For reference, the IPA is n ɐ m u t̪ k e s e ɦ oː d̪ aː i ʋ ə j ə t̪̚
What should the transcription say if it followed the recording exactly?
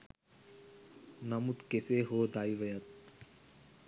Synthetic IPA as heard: n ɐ m u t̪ k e s e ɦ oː d̪ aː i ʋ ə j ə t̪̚